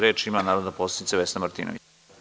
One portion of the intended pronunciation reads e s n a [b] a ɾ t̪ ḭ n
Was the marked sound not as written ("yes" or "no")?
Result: yes